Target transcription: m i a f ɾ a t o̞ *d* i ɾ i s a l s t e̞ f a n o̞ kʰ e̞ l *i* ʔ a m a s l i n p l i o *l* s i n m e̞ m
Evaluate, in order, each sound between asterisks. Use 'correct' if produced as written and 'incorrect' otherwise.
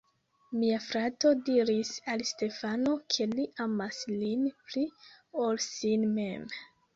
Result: correct, correct, correct

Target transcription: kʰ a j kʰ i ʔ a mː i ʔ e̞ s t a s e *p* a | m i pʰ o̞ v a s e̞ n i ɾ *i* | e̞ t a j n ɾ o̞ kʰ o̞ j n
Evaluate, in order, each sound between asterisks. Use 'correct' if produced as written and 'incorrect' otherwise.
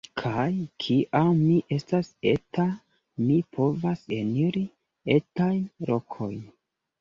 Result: incorrect: t, correct

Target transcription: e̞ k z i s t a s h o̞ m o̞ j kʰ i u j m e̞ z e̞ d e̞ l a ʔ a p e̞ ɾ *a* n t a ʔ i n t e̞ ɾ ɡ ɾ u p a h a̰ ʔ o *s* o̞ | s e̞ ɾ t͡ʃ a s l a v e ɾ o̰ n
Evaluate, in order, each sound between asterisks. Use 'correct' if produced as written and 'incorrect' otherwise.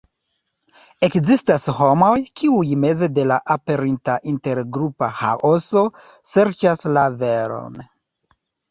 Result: incorrect: i, correct

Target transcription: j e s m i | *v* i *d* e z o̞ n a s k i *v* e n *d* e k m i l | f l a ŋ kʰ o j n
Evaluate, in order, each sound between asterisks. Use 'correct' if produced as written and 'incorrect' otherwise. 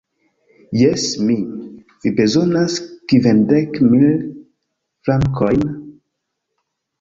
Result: correct, incorrect: b, correct, correct

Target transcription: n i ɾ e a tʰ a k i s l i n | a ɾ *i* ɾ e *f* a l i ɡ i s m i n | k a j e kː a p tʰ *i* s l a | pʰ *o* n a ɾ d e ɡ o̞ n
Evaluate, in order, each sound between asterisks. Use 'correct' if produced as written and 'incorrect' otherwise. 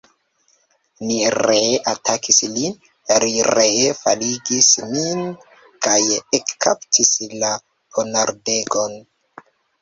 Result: correct, correct, correct, correct

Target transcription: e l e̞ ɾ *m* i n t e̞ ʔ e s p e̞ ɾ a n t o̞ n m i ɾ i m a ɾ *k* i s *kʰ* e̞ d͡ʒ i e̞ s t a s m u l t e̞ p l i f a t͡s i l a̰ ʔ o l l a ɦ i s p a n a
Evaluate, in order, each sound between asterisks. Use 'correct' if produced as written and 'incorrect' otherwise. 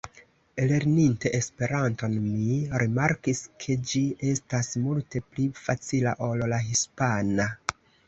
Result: incorrect: n, correct, correct

